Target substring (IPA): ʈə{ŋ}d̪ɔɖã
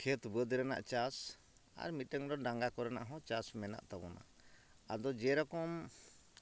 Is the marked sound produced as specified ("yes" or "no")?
yes